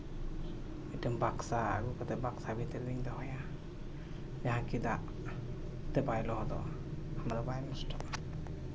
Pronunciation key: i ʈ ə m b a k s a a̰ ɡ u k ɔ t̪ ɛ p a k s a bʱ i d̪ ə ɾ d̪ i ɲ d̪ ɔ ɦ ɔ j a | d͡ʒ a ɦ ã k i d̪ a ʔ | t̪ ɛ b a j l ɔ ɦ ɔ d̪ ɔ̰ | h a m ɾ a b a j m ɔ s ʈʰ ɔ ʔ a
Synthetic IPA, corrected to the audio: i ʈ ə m b a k s a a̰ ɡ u k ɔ t̪ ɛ b a k s a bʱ i t̪ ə ɾ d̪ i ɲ d̪ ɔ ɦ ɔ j a | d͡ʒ a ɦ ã k i d̪ a ʔ | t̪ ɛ b a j l ɔ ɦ ɔ d̪ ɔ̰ | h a m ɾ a b a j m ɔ s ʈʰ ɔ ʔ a